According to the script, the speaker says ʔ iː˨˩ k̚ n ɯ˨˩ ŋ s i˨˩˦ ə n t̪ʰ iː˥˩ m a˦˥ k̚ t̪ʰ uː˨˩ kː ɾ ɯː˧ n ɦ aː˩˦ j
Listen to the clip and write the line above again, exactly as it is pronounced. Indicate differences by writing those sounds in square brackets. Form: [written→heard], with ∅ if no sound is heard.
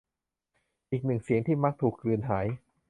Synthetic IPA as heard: ʔ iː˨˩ k̚ n ɯ˨˩ ŋ s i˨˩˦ ə [n→ŋ] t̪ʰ iː˥˩ m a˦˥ k̚ t̪ʰ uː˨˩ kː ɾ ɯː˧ n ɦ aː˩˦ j

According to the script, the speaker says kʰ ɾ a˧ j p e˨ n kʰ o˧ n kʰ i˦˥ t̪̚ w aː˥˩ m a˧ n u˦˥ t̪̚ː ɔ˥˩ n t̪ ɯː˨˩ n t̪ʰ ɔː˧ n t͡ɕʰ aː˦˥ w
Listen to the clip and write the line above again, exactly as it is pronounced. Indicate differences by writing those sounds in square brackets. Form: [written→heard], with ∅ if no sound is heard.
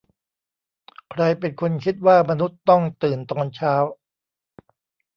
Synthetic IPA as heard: kʰ ɾ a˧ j p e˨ n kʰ o˧ n kʰ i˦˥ t̪̚ w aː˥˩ m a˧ n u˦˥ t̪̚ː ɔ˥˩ [n→ŋ] t̪ ɯː˨˩ n [t̪ʰ→t̪] ɔː˧ n t͡ɕʰ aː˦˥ w

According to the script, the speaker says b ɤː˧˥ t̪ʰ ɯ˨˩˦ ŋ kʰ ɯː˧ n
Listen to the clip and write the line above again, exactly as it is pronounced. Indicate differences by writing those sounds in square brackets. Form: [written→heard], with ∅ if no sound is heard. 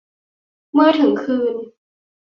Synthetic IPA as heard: [b→m] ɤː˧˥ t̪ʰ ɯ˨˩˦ ŋ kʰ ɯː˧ n

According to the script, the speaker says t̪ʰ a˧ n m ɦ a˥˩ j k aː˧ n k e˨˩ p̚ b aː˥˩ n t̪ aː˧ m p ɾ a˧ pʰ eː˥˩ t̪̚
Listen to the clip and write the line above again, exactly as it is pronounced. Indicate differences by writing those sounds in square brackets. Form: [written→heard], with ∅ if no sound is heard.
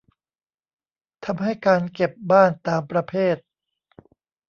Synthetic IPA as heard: t̪ʰ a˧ [n→∅] m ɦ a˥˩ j k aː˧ n k e˨˩ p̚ b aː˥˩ n t̪ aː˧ m p ɾ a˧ pʰ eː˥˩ t̪̚

